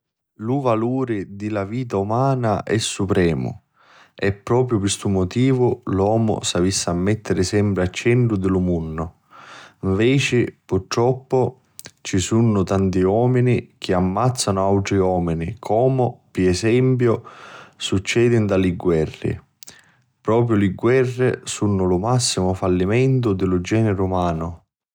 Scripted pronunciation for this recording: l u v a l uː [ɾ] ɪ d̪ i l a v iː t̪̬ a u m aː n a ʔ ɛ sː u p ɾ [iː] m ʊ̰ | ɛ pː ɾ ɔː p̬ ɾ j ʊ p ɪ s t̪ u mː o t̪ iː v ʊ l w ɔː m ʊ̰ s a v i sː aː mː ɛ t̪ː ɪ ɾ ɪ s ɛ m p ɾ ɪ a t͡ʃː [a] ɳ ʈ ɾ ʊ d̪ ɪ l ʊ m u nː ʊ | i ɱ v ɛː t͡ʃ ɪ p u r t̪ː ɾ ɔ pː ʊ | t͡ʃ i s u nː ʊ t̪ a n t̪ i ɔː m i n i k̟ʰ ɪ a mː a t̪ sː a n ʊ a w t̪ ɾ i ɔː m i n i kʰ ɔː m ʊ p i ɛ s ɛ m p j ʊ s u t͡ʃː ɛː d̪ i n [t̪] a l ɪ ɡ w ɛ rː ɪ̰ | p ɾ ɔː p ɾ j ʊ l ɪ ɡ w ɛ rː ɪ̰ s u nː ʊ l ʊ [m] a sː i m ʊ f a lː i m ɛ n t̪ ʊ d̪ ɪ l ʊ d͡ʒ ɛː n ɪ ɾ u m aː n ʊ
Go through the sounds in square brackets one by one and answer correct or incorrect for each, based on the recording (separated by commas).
correct, incorrect, incorrect, incorrect, correct